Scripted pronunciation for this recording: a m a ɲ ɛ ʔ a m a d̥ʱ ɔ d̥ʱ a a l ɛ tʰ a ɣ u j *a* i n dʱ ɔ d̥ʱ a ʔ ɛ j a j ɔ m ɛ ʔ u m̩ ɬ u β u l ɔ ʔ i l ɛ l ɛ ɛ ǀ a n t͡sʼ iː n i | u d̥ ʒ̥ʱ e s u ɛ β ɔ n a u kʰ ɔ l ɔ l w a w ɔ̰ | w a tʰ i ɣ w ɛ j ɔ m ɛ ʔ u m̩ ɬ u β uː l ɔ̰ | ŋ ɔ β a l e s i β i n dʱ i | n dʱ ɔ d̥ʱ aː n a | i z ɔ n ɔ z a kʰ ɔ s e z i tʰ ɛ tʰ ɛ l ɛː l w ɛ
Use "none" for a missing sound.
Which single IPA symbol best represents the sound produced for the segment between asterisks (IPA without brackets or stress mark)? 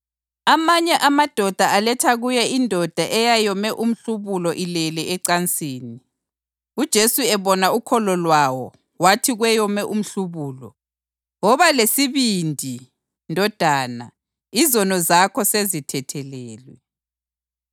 ɛ